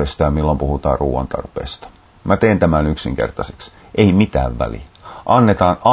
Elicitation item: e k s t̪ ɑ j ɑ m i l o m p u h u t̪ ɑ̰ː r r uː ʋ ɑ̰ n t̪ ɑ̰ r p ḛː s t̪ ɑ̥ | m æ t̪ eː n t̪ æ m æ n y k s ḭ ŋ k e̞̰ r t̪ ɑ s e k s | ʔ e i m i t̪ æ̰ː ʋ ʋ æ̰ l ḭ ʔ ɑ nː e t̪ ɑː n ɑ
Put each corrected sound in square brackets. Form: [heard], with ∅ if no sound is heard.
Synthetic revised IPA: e [∅] s t̪ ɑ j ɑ m i [lː] o m p u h u t̪ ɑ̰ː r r uː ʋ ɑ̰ n t̪ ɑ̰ r p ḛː s t̪ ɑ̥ | m æ t̪ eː n t̪ æ m æ n y k s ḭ ŋ k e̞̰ r t̪ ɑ s e k s | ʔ e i m i t̪ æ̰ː ʋ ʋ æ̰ l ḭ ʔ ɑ nː e t̪ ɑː n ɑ